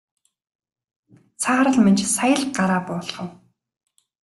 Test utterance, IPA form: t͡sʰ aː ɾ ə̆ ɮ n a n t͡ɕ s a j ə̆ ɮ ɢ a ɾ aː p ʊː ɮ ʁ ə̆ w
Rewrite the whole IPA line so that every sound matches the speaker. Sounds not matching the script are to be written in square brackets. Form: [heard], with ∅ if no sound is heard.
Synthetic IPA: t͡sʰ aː ɾ ə̆ ɮ [m] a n t͡ɕ s a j ə̆ ɮ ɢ a ɾ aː p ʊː ɮ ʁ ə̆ w